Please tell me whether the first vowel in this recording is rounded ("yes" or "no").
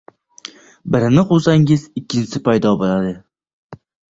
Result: no